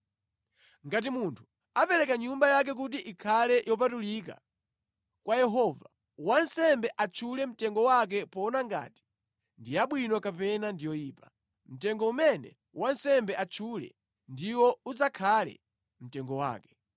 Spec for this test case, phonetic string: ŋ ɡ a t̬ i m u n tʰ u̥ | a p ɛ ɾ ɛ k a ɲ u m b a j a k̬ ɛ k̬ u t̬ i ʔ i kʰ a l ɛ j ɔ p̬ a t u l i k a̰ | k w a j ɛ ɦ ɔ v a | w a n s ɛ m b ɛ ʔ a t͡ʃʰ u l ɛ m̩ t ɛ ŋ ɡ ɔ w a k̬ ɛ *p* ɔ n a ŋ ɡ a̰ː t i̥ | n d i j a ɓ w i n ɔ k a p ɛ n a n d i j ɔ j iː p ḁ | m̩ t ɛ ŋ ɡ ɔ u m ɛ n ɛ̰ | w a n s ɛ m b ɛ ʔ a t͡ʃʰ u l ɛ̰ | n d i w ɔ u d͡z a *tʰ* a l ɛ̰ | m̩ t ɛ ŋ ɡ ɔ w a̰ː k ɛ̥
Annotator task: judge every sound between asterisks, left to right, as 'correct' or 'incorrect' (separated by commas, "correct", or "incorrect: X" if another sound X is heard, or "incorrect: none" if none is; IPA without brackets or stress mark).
correct, incorrect: kʰ